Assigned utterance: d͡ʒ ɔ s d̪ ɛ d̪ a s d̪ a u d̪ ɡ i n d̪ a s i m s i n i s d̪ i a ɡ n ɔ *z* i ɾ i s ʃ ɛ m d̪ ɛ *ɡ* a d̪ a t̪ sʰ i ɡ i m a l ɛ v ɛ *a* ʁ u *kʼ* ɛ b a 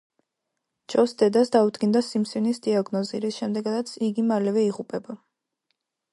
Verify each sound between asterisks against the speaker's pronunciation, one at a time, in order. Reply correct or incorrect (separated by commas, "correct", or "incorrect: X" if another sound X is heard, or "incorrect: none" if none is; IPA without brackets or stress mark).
correct, correct, incorrect: i, incorrect: pʼ